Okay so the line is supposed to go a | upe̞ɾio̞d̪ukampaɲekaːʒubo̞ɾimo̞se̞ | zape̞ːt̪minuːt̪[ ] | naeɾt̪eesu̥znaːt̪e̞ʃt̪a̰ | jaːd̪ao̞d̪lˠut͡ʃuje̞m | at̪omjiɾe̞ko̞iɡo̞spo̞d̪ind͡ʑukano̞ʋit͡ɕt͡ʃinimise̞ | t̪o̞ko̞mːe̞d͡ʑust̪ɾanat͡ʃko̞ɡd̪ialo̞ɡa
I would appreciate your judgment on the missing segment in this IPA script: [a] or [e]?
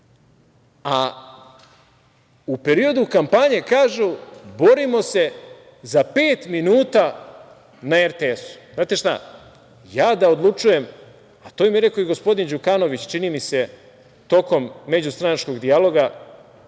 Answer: a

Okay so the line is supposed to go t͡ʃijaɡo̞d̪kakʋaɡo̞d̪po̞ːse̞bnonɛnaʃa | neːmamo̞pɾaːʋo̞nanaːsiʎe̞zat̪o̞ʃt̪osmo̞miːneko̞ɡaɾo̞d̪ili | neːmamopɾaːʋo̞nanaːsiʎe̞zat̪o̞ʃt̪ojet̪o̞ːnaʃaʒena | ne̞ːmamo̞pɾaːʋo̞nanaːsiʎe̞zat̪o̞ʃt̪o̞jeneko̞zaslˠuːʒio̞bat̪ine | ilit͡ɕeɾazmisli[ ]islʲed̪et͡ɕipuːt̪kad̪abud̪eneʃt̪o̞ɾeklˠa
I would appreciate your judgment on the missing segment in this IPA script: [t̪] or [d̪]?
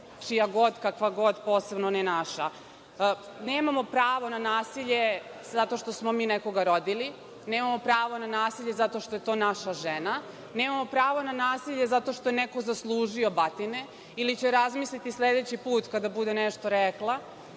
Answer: t̪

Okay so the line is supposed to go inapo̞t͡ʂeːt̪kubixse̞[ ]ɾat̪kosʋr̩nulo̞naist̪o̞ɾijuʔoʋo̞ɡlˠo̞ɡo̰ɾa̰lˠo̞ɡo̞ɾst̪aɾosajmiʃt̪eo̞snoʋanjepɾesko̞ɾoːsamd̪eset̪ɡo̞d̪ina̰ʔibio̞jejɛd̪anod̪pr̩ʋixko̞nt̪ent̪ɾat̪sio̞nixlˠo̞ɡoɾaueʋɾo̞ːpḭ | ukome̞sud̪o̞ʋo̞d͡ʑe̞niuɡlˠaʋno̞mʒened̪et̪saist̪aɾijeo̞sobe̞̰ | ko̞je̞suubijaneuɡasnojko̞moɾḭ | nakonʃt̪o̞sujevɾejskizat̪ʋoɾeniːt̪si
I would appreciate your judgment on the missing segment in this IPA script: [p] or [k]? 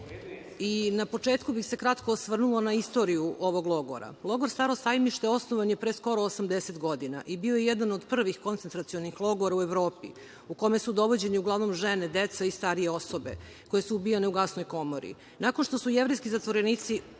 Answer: k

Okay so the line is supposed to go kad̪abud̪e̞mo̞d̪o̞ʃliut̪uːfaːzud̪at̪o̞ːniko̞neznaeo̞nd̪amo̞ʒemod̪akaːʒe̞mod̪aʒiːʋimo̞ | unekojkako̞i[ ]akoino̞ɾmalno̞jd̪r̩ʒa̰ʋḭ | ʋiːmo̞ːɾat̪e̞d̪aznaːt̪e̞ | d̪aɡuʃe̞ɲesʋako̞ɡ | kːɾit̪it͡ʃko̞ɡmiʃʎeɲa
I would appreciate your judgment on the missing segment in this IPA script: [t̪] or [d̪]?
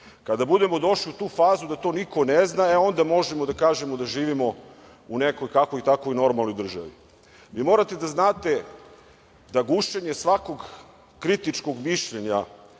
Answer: t̪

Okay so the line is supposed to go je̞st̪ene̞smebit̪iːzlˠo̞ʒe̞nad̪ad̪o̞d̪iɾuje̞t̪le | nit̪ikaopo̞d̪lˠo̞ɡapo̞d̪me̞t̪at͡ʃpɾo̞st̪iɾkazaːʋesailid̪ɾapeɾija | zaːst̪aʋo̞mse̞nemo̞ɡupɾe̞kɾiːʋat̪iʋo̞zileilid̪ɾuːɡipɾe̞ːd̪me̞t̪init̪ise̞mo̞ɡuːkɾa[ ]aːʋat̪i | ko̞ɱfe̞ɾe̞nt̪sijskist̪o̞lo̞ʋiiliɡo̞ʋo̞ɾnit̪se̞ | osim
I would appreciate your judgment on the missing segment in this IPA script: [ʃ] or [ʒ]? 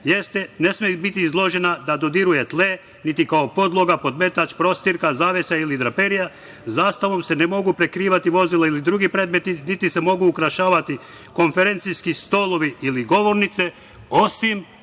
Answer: ʃ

